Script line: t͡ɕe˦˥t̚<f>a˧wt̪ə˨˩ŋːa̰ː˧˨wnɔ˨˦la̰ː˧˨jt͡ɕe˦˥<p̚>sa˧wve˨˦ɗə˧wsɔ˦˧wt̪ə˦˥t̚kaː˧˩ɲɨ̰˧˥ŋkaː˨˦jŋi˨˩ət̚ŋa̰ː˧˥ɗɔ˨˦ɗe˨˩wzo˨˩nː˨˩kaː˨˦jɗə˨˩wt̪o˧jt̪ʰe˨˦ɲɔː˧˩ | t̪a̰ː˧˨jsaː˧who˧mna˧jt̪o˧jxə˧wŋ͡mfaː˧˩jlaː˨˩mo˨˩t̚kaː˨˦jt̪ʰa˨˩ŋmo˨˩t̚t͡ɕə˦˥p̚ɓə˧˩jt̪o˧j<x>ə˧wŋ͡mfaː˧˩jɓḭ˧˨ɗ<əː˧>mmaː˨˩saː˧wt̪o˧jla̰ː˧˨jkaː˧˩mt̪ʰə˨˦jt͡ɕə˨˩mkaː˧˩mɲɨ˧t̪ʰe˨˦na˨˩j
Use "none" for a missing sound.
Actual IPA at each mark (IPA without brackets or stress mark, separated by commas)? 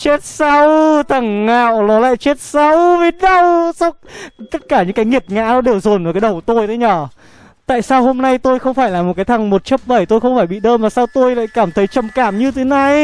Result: s, t̚, x, əː˧